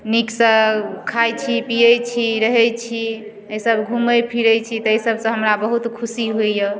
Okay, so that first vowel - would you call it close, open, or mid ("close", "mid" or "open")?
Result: close